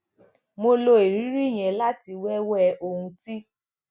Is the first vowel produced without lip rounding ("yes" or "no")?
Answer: no